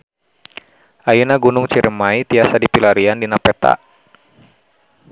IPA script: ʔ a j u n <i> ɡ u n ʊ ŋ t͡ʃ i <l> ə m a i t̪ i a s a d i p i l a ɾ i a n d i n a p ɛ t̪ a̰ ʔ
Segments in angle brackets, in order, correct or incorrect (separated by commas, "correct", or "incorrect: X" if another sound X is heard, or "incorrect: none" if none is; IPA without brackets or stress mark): incorrect: a, incorrect: ɾ